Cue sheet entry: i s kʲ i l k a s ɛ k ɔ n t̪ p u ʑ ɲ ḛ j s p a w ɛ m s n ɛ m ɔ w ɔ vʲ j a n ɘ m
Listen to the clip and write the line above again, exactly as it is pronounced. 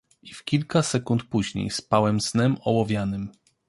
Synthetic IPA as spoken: i f kʲ i l k a s ɛ k u n t̪ p u ʑ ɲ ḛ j s p a w ɛ m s n ɛ m ɔ w ɔ vʲ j a n ɘ m

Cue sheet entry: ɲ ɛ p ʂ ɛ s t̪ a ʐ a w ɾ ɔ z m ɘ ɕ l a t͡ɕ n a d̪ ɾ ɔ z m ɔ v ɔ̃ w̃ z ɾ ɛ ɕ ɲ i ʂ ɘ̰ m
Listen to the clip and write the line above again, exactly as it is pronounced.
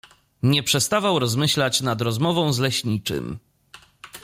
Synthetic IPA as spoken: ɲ ɛ p ʂ ɛ s t̪ a v a w ɾ ɔ z m ɘ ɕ l a t͡ɕ n a d̪ ɾ ɔ z m ɔ v ɔ̃ w̃ z l ɛ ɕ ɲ i t͡ʂ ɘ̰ m

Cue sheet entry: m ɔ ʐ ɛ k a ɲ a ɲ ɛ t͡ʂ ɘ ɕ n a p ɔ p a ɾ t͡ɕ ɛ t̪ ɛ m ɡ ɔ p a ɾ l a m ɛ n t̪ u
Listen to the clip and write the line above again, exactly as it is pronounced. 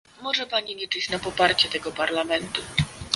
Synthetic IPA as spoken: m ɔ ʐ ɛ p a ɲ i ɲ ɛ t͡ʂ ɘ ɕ n a p ɔ p a ɾ t͡ɕ ɛ t̪ ɛ ɡ ɔ p a ɾ l a m ɛ n t̪ u

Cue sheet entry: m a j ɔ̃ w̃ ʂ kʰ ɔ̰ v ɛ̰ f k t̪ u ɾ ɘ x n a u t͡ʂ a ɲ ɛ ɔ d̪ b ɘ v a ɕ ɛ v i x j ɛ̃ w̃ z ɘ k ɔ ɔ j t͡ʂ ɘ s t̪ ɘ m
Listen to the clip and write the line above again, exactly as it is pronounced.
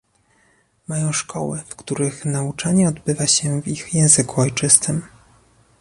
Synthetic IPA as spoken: m a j ɔ̃ w̃ ʂ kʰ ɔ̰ w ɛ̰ f k t̪ u ɾ ɘ x n a u t͡ʂ a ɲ ɛ ɔ d̪ b ɘ v a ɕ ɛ v i x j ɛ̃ w̃ z ɘ k u ɔ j t͡ʂ ɘ s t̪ ɘ m

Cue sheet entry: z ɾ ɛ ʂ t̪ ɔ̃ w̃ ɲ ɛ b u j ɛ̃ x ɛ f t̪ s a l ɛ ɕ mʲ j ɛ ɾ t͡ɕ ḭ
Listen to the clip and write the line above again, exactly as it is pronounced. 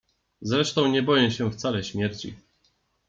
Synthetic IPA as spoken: z ɾ ɛ ʂ t̪ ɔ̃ w̃ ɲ ɛ b ɔ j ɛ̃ ɕ ɛ f t̪ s a l ɛ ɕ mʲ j ɛ ɾ t͡ɕ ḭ

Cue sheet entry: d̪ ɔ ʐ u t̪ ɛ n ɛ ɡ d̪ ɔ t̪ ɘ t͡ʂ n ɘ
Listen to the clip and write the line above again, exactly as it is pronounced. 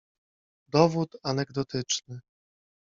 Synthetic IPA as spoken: d̪ ɔ v u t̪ a n ɛ ɡ d̪ ɔ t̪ ɘ t͡ʂ n ɘ

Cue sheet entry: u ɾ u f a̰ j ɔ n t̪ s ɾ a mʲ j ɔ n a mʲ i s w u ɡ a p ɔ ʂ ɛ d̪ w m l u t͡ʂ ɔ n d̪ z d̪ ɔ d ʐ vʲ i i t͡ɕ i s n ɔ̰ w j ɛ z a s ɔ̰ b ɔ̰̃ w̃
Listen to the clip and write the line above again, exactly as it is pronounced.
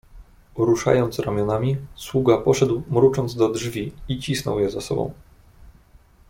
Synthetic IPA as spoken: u ɾ u ʂ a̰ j ɔ n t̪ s ɾ a mʲ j ɔ n a mʲ i s w u ɡ a p ɔ ʂ ɛ d̪ w m ɾ u t͡ʂ ɔ n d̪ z d̪ ɔ d ʐ vʲ i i t͡ɕ i s n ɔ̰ w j ɛ z a s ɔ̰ b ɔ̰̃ w̃

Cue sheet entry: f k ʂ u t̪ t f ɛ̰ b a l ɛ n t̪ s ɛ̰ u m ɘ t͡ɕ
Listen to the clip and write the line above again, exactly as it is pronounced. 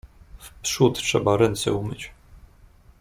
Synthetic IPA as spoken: f p ʂ u t̪ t ʂ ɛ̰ b a ɾ ɛ n t̪ s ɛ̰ u m ɘ t͡ɕ

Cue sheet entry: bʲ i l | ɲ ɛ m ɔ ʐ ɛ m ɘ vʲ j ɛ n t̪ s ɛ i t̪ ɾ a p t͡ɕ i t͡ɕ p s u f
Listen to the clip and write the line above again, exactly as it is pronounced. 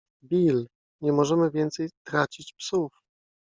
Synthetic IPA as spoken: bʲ i l | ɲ ɛ m ɔ ʐ ɛ m ɘ vʲ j ɛ n t̪ s ɛ j t̪ ɾ a t͡ɕ i t͡ɕ p s u f

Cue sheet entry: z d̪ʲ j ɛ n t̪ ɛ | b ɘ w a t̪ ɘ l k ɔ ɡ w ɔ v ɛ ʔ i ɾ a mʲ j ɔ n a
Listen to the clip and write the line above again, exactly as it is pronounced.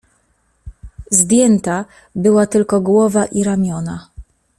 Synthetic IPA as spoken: z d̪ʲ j ɛ n t̪ a | b ɘ w a t̪ ɘ l k ɔ ɡ w ɔ v a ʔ i ɾ a mʲ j ɔ n a

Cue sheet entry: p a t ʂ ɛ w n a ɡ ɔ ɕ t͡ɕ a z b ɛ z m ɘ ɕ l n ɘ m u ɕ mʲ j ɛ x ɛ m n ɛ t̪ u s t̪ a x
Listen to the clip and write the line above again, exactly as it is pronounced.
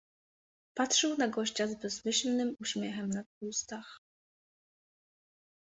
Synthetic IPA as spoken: p a t ʂ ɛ w n a ɡ ɔ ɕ t͡ɕ a z b ɛ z m ɘ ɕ l n ɘ m u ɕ mʲ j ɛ x ɛ m n a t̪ u s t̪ a x

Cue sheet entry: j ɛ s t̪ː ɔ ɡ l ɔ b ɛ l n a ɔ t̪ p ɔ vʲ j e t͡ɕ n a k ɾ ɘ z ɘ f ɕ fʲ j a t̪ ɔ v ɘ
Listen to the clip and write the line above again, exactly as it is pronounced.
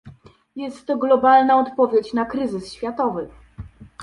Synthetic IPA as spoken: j ɛ s t̪ː ɔ ɡ l ɔ b a l n a ɔ t̪ p ɔ vʲ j e t͡ɕ n a k ɾ ɘ z ɘ s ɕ fʲ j a t̪ ɔ v ɘ

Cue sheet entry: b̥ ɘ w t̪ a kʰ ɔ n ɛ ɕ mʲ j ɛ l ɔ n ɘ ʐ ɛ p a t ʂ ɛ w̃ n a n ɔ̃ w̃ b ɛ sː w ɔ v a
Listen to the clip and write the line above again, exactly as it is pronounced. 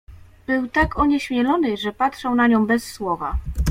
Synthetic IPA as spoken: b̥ ɘ w t̪ a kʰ ɔ ɲ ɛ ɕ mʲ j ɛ l ɔ n ɘ ʐ ɛ p a t ʂ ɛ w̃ n a ɲ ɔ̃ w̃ b ɛ sː w ɔ v a

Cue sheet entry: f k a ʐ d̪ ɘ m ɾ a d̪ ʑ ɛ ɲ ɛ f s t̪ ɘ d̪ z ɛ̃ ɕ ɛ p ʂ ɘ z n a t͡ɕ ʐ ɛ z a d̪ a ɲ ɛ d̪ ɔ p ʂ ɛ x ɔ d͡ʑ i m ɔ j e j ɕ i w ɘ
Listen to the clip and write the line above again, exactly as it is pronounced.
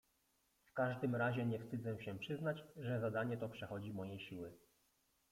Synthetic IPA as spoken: f k a ʐ d̪ ɘ m ɾ a ʑ ɛ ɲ ɛ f s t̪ ɘ d̪ z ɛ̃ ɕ ɛ p ʂ ɘ z n a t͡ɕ ʐ ɛ z a d̪ a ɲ ɛ t̪ ɔ p ʂ ɛ x ɔ d͡ʑ i m ɔ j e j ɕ i w ɘ

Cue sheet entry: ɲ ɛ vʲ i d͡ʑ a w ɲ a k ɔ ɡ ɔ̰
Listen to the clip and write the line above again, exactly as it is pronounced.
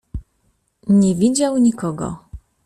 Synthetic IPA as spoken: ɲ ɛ vʲ i d͡ʑ a w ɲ i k ɔ ɡ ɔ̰

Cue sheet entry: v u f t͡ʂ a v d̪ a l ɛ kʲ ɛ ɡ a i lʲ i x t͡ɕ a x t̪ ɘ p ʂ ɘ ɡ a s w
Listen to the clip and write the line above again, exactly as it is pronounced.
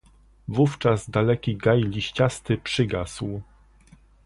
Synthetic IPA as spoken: v u f t͡ʂ a z d̪ a l ɛ kʲ i ɡ a j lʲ i ɕ t͡ɕ a s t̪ ɘ p ʂ ɘ ɡ a s w

